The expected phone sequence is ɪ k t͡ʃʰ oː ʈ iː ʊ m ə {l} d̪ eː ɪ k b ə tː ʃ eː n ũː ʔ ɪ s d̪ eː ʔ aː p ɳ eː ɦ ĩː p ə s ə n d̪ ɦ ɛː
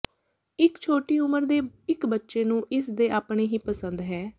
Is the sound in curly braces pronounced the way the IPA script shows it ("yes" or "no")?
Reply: no